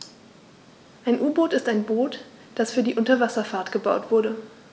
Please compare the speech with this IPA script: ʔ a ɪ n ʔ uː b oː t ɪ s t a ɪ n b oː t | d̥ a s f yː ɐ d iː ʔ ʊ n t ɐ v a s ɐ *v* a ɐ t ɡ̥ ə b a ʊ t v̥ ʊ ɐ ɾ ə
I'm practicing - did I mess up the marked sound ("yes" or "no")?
yes